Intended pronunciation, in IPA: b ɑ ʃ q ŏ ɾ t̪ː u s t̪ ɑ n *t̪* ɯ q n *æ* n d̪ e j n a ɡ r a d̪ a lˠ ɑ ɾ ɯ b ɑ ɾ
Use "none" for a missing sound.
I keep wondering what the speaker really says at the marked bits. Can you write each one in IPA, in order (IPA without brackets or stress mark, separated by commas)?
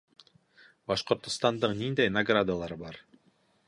d̪, i